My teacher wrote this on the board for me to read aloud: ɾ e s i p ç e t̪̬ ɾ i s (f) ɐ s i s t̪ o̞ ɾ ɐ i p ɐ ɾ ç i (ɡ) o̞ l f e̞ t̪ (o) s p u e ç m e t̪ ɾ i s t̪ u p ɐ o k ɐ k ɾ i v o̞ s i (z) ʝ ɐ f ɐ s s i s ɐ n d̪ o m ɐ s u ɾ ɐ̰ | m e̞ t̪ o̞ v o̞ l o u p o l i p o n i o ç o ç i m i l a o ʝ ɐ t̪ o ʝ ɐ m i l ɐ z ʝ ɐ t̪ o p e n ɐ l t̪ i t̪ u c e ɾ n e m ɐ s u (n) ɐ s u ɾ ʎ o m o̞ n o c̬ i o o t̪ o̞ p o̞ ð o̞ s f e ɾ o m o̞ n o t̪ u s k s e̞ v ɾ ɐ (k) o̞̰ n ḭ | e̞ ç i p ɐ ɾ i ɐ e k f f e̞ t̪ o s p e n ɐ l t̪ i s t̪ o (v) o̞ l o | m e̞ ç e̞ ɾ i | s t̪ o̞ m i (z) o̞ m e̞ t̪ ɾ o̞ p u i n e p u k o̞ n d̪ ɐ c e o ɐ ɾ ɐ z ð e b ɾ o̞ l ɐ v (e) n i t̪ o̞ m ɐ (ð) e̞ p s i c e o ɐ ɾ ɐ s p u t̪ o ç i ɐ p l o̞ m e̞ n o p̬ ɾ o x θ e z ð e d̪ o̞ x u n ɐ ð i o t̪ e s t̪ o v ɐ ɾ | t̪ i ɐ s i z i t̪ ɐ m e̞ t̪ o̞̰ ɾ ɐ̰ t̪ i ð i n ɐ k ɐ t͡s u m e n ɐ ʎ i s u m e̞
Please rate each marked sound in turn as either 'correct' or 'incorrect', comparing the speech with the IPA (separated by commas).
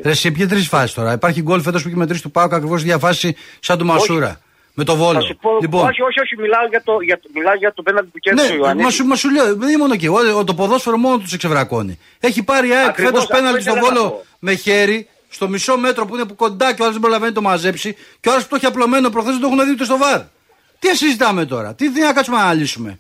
correct, correct, correct, incorrect, incorrect, correct, correct, incorrect, correct, incorrect